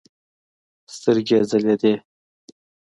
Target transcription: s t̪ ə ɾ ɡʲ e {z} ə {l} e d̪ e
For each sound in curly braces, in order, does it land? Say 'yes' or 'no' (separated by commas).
yes, yes